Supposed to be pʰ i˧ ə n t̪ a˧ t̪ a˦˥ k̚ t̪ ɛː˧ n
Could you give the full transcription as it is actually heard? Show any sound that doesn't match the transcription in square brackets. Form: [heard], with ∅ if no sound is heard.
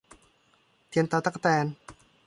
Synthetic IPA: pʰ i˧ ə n t̪ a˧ t̪ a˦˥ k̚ t̪ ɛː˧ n